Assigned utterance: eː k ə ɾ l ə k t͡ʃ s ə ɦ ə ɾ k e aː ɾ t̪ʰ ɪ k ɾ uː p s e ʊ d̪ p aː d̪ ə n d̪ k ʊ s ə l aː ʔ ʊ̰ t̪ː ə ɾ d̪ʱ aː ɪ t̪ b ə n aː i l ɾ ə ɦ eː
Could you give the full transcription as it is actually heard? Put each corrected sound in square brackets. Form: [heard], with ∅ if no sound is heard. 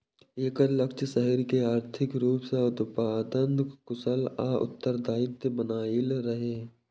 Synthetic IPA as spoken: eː k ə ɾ l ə k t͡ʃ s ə ɦ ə ɾ k e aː ɾ t̪ʰ ɪ k ɾ uː p s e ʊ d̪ p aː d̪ ə n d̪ k ʊ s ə l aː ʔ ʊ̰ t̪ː ə ɾ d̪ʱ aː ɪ t̪ b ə n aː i l ɾ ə ɦ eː